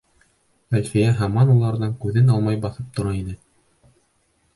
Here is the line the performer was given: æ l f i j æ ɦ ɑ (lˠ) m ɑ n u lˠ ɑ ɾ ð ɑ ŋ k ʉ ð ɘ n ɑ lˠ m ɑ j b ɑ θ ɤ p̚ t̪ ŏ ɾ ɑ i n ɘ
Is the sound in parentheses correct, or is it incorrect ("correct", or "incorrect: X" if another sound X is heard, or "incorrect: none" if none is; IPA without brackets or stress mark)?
incorrect: none